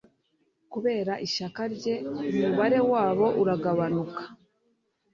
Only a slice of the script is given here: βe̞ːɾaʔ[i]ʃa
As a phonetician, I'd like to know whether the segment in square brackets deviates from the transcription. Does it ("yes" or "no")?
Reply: no